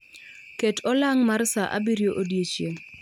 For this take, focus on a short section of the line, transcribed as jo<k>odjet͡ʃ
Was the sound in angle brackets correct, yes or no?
no